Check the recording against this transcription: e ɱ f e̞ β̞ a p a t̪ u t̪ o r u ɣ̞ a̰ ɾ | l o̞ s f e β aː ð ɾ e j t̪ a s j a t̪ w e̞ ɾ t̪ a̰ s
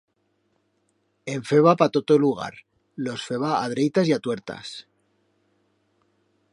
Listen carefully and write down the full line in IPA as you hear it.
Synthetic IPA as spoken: e ɱ f e̞ β̞ a p a t̪ o t̪ o l u ɣ̞ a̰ ɾ | l o̞ s f e β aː ð ɾ e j t̪ a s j a t̪ w e̞ ɾ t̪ a̰ s